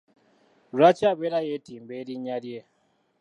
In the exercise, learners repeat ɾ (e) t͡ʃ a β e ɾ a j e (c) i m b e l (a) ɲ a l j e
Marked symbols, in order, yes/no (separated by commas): no, no, no